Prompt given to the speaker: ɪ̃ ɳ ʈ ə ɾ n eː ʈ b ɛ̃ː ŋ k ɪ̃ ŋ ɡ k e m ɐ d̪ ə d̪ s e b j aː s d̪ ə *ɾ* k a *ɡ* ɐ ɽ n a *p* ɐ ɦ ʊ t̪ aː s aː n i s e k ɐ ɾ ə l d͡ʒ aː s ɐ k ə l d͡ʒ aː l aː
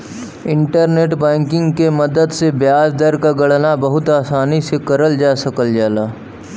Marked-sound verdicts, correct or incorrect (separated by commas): correct, correct, incorrect